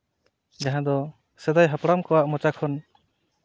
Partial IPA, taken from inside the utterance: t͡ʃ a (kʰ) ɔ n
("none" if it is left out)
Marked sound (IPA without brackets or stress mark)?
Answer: kʰ